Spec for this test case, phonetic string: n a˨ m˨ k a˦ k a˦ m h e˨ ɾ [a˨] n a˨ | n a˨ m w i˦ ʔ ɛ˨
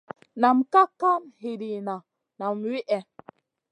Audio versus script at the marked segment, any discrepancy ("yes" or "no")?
yes